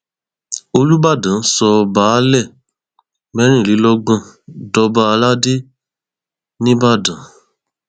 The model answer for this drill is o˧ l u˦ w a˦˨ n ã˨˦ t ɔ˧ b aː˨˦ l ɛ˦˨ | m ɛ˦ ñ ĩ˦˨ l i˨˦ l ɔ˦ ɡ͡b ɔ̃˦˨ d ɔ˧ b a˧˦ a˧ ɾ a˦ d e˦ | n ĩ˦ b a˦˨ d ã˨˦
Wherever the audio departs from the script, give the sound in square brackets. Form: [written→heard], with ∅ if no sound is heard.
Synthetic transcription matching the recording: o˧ l u˦ [w→b] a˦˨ [n→d] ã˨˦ [t→s] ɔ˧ b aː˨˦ l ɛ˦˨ | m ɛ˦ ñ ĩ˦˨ l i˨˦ l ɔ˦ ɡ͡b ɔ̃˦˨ d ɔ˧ b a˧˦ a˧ [ɾ→l] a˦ d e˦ | n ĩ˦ b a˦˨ d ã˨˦